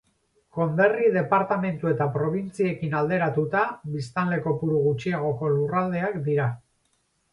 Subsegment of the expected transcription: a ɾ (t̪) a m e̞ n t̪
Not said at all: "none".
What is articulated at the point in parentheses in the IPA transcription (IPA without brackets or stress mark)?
t̪